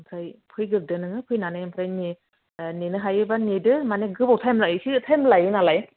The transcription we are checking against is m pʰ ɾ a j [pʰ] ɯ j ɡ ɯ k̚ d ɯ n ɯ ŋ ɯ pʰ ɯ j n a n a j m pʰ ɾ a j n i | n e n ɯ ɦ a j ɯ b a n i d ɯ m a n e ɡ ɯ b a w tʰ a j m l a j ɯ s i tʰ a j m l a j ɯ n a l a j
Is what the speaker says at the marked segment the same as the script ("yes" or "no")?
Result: yes